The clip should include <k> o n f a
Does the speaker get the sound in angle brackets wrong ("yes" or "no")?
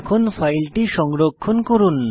yes